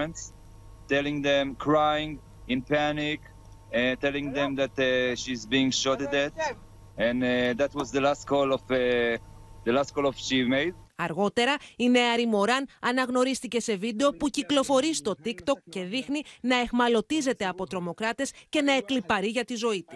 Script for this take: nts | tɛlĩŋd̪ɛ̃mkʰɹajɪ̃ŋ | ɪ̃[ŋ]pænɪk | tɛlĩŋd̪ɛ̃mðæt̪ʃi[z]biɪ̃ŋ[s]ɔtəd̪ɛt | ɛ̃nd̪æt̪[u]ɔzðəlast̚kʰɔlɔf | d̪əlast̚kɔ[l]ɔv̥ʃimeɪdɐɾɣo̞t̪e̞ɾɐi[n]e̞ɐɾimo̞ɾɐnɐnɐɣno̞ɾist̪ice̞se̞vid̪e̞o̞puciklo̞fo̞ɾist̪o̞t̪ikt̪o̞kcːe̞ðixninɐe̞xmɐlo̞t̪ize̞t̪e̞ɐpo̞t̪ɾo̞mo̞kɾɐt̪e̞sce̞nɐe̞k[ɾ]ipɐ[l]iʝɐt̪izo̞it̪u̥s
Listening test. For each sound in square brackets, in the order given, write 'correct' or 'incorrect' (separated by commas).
incorrect, correct, incorrect, incorrect, correct, correct, incorrect, incorrect